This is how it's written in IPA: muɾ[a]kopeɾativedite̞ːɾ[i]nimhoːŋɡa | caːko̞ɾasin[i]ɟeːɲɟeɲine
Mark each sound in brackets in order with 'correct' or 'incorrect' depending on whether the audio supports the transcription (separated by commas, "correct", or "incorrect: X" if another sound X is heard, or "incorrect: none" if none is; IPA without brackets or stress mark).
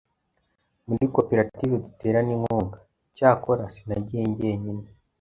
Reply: incorrect: i, incorrect: a, incorrect: a